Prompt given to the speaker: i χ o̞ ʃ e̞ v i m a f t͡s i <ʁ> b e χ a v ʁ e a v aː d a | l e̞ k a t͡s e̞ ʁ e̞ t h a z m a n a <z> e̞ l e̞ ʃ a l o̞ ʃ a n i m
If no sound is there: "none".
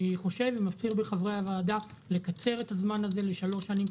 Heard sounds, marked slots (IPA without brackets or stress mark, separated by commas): ʁ, z